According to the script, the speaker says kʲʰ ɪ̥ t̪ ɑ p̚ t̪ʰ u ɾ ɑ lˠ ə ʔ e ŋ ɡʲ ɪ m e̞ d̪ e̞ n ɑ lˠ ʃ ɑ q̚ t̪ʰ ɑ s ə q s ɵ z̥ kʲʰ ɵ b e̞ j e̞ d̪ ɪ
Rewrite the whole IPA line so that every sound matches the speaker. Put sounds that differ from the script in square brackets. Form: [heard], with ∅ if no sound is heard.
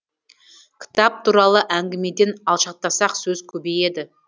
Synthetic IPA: kʲʰ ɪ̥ t̪ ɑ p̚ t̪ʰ u ɾ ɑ lˠ ə ʔ [æ] ŋ ɡʲ ɪ m e̞ d̪ e̞ n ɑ lˠ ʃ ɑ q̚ [t̪] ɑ s [ɑ] q s ɵ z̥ kʲʰ ɵ b e̞ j e̞ d̪ ɪ